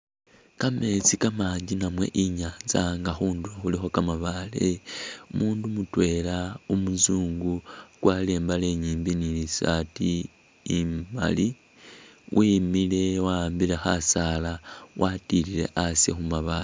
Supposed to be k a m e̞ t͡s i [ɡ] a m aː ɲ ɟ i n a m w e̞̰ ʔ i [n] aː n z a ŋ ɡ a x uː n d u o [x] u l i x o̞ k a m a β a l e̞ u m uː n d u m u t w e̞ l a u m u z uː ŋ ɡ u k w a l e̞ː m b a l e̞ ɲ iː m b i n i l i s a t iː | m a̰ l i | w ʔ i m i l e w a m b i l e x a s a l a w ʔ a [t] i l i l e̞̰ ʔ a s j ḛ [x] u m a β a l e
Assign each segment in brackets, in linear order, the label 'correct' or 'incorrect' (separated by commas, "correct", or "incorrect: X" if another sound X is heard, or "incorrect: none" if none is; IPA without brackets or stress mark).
incorrect: k, incorrect: ɲ, correct, correct, correct